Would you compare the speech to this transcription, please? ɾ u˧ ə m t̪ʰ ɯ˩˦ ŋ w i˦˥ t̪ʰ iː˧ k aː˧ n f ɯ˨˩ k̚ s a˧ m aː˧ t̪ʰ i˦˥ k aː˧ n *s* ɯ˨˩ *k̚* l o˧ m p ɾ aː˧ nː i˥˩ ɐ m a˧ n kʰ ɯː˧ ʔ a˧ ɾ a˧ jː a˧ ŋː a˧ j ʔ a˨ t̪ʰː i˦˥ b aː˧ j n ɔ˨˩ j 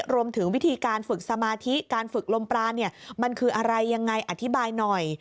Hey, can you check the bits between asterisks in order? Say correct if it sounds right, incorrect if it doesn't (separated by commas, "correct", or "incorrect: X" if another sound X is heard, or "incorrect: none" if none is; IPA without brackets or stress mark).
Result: incorrect: f, correct